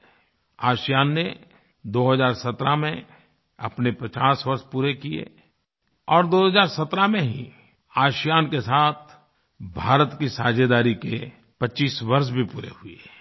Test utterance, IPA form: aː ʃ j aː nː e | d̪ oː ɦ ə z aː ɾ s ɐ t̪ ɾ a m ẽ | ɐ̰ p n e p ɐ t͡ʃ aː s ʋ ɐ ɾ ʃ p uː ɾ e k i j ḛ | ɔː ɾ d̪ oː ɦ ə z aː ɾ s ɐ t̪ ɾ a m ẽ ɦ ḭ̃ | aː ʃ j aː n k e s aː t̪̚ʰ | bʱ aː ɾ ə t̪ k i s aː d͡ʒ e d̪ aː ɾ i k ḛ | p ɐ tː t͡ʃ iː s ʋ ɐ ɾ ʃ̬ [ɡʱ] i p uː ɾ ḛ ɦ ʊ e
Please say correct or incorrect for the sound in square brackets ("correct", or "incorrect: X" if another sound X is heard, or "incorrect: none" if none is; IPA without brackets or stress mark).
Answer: incorrect: bʱ